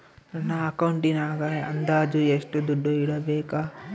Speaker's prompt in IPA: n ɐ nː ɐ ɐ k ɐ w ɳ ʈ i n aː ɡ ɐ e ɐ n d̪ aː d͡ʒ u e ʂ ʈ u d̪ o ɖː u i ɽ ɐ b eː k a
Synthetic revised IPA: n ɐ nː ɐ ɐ k ɐ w ɳ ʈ i n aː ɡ ɐ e ɐ n d̪ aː d͡ʒ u e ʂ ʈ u d̪ u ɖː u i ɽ ɐ b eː k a